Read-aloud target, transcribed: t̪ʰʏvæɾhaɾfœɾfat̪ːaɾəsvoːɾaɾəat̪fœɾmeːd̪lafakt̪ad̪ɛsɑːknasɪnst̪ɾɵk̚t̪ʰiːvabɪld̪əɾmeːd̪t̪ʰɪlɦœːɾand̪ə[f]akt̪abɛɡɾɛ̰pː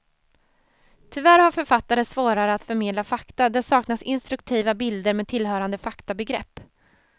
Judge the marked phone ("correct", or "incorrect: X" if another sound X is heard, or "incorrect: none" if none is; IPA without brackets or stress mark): correct